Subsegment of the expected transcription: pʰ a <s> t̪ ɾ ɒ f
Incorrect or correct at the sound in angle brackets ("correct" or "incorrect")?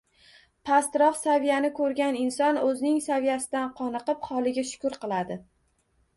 correct